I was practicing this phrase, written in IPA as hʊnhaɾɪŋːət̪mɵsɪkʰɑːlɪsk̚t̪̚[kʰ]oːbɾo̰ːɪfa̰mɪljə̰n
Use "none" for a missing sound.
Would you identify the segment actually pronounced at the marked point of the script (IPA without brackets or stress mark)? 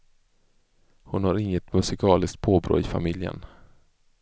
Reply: pʰ